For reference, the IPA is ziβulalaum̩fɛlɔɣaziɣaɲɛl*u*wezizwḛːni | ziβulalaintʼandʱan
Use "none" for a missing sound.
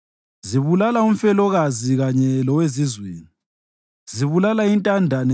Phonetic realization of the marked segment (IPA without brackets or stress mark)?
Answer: ɔ